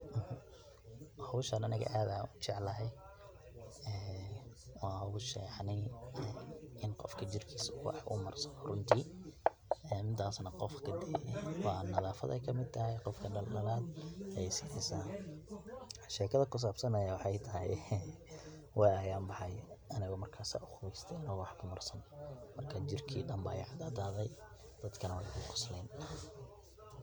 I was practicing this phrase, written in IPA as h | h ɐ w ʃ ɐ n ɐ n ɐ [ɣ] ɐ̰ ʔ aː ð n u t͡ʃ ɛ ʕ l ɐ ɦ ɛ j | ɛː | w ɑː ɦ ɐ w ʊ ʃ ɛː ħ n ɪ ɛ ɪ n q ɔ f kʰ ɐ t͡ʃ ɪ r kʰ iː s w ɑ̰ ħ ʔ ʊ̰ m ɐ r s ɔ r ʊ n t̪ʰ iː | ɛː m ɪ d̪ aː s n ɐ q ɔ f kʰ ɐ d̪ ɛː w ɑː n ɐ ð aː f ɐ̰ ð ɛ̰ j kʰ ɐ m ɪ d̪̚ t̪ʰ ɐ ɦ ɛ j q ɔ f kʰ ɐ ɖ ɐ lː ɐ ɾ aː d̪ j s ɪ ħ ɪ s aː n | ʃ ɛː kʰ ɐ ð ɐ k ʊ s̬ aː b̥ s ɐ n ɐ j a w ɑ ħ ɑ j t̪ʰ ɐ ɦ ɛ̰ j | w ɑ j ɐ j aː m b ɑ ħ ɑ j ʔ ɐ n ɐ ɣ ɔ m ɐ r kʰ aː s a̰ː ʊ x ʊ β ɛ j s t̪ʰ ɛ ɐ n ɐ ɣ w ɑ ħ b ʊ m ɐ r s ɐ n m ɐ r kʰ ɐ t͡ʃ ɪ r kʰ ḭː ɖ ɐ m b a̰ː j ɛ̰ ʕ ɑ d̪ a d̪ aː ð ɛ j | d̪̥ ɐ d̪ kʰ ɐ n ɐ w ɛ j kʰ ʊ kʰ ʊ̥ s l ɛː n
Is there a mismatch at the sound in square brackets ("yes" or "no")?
no